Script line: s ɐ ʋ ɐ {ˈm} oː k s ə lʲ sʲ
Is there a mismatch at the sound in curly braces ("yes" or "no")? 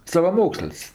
no